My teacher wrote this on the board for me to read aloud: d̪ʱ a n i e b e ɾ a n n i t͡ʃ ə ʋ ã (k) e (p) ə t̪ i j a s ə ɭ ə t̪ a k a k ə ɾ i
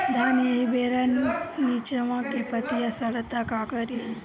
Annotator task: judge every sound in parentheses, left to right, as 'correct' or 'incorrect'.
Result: correct, correct

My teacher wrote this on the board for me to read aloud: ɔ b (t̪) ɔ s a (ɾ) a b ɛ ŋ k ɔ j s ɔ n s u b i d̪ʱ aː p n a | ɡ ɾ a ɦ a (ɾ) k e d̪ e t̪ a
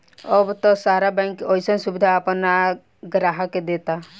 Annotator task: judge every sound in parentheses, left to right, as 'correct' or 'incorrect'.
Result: correct, correct, incorrect

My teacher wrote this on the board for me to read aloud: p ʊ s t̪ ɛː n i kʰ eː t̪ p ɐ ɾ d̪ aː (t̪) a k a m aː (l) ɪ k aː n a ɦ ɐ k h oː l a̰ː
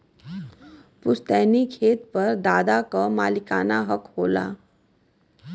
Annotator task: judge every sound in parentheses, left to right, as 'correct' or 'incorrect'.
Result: incorrect, correct

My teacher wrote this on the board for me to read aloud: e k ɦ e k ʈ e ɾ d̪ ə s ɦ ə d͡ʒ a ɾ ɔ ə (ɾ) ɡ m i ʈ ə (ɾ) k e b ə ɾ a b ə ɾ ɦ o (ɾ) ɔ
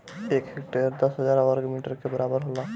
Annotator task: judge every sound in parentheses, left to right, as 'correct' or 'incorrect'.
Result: correct, correct, incorrect

